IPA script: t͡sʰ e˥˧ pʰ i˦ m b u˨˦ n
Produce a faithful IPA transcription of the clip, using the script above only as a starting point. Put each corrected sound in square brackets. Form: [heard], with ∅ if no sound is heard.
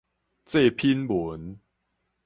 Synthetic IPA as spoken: [t͡s] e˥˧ pʰ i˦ [n] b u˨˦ n